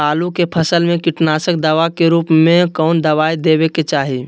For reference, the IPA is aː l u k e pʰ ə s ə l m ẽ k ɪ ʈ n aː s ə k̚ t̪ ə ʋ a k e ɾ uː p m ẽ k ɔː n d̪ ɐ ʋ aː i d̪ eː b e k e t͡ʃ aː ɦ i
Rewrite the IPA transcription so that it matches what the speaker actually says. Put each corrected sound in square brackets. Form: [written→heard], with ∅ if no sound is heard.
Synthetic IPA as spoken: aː l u k e pʰ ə s ə l m ẽ k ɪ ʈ n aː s ə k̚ [t̪→d̪] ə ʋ a k e ɾ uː p m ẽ k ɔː n d̪ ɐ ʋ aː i d̪ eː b e k e t͡ʃ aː ɦ i